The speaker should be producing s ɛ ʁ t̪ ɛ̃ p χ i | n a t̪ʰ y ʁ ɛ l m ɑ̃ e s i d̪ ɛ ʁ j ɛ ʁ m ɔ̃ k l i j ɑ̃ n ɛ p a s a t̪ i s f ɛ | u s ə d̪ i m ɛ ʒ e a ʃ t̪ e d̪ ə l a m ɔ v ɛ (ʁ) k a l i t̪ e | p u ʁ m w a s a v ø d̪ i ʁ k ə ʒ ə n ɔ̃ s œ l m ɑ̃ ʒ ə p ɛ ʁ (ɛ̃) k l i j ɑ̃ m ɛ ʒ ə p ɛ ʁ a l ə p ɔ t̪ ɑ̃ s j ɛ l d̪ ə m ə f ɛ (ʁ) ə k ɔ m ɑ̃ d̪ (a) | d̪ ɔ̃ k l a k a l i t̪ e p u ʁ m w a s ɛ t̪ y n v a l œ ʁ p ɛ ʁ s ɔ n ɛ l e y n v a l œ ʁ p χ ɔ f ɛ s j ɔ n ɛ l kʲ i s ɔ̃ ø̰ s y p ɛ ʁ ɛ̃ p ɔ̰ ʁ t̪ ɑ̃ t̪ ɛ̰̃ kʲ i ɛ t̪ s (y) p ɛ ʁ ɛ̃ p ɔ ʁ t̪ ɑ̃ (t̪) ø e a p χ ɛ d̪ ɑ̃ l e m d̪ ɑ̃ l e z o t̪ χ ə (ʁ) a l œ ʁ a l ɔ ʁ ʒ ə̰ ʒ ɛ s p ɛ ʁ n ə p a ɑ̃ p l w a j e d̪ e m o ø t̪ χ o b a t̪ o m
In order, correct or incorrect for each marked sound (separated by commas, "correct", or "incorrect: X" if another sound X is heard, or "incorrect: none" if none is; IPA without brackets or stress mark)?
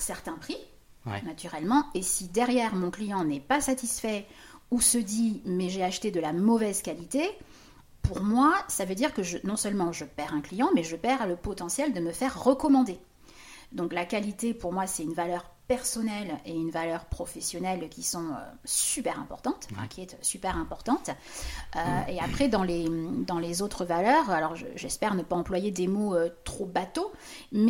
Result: incorrect: z, correct, incorrect: ʁː, incorrect: e, correct, correct, incorrect: v